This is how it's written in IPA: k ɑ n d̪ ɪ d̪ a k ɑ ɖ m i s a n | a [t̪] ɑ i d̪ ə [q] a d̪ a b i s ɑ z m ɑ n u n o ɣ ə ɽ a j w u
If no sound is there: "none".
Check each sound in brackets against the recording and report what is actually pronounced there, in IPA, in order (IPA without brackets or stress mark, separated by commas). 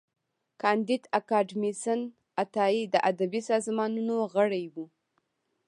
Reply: t̪, ʔ